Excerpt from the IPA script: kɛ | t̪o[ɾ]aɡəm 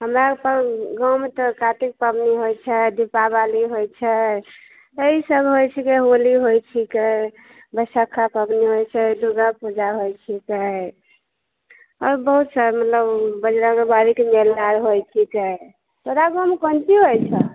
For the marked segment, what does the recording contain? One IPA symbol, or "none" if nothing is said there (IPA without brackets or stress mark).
ɾ